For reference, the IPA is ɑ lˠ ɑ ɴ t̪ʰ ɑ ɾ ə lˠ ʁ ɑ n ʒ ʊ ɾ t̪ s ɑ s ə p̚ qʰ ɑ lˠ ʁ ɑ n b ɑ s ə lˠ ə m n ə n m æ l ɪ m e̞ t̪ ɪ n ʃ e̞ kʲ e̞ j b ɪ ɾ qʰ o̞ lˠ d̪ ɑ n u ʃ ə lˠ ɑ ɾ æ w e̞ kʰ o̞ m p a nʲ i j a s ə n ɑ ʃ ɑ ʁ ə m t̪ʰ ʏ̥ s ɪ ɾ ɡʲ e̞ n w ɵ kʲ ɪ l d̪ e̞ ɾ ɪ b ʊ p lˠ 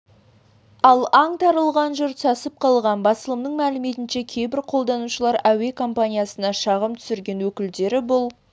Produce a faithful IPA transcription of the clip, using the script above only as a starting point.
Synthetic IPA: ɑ lˠ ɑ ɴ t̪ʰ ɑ ɾ ə lˠ ʁ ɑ n ʒ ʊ ɾ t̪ s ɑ s ə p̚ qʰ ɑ lˠ ʁ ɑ n b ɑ s ə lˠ ə m n ə ɴ m æ l ɪ m e̞ t̪ ɪ n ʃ e̞ kʲʰ e̞ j b ɪ ɾ qʰ o̞ lˠ d̪ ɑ n u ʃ ə lˠ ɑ ɾ æ w e̞ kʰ o̞ m p a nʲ i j a s ə n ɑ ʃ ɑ ʁ ə m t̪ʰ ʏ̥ s ɪ ɾ ɡʲ e̞ n w ɵ kʲ ɪ l d̪ e̞ ɾ ɪ b ʊ lˠ